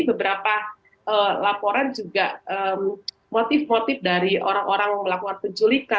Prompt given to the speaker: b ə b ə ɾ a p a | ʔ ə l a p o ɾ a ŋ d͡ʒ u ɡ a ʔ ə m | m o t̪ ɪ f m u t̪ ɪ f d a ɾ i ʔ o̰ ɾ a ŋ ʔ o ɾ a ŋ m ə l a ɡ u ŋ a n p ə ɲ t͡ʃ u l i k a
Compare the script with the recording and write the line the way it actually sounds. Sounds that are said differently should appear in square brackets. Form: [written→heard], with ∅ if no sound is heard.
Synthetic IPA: b ə b ə ɾ a p a | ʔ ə l a p o ɾ a [ŋ→n] d͡ʒ u ɡ a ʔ ə m | m o t̪ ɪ f m [u→o] t̪ ɪ f d a ɾ i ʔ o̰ ɾ a ŋ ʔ o ɾ a ŋ m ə l a [ɡ→k] u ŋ a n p ə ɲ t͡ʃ u l i k a